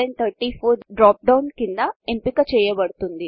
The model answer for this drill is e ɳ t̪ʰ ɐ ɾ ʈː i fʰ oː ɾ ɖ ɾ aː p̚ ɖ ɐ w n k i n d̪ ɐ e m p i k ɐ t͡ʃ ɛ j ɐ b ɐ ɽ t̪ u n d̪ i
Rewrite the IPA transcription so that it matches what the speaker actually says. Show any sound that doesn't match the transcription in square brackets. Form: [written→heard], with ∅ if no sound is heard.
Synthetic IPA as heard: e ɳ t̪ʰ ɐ ɾ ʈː i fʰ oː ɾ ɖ ɾ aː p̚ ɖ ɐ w n k i n d̪ ɐ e m p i k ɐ t͡ʃ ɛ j ɐ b ɐ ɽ t̪ u n d̪ i